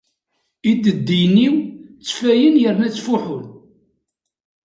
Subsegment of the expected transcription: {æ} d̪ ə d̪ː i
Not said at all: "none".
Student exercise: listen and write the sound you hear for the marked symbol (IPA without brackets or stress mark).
i